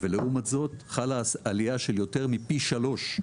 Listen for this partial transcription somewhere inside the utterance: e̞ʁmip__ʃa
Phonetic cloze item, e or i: i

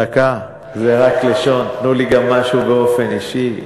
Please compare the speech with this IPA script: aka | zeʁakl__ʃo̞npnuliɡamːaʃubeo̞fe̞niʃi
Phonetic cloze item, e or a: e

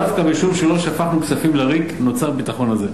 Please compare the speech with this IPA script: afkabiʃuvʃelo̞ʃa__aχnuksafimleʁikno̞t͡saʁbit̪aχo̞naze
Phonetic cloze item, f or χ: f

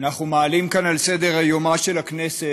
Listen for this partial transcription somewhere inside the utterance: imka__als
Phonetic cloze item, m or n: n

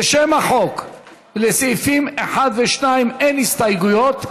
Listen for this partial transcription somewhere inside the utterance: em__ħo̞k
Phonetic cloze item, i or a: a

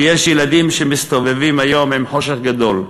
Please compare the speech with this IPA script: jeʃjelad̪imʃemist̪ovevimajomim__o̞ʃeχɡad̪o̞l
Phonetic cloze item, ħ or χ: ħ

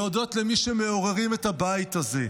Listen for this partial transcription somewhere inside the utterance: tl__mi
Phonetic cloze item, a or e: e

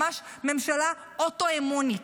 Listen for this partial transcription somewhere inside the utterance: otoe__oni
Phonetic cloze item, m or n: m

